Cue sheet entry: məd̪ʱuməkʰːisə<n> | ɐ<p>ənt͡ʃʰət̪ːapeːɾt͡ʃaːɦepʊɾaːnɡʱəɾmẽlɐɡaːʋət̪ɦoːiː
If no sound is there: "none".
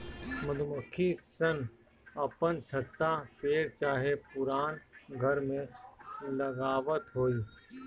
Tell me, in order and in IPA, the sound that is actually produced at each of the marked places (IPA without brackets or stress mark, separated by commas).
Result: n, p